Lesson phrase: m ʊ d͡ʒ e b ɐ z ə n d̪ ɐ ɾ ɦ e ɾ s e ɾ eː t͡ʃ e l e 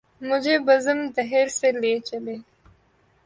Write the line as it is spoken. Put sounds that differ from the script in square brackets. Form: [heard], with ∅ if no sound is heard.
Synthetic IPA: m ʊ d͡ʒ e b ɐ z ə [m] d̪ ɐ [∅] ɦ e ɾ s e [l] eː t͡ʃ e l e